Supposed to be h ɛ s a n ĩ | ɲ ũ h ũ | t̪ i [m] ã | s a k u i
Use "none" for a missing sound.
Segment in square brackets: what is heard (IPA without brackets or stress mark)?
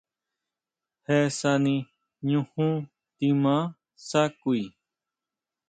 m